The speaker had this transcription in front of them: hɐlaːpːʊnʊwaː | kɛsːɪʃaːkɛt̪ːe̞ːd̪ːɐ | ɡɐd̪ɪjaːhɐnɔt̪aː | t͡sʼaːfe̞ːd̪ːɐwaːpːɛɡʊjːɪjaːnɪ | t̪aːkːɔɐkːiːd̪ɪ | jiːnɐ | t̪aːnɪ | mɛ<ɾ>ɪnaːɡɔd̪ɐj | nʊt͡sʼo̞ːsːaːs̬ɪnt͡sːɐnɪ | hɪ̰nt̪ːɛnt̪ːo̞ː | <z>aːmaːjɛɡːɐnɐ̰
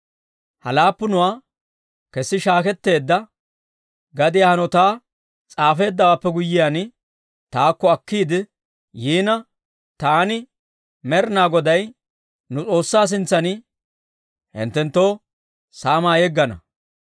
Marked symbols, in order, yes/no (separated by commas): yes, no